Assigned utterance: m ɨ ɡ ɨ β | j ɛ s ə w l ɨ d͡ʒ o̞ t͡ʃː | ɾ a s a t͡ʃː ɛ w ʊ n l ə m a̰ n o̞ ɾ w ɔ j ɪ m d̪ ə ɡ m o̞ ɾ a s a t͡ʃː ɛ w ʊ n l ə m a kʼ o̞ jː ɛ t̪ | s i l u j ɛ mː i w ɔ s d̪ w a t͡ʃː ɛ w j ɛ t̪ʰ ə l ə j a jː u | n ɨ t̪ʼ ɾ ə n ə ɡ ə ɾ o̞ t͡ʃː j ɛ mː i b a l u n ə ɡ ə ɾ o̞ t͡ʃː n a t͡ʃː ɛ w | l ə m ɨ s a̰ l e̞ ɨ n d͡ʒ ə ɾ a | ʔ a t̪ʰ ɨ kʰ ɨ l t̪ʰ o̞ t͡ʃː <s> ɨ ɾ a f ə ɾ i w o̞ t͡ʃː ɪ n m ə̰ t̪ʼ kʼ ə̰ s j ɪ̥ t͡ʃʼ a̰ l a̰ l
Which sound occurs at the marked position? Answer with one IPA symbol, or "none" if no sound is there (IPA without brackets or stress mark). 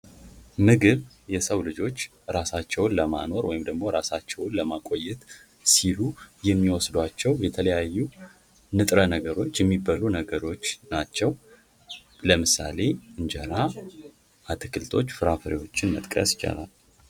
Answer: f